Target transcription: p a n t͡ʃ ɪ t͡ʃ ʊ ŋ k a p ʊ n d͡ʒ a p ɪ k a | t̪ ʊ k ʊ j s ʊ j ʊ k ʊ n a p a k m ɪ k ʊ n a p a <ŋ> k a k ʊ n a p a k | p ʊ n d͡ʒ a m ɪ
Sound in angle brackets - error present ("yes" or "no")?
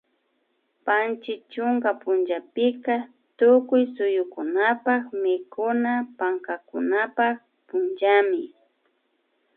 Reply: no